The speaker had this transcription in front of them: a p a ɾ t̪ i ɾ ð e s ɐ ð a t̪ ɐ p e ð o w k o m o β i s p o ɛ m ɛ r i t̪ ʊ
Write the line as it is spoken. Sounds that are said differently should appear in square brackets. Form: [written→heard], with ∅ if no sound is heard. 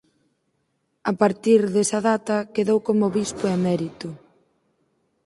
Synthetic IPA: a p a ɾ t̪ i ɾ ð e s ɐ ð a t̪ ɐ [p→k] e ð o w k o m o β i s p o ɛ m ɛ [r→ɾ] i t̪ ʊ